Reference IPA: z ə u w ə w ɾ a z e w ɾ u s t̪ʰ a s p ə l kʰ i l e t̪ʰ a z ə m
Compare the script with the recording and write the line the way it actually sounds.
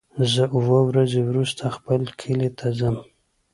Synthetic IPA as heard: z ə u w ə w ɾ a z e w ɾ u s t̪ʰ a x p ə l kʰ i l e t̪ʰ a z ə m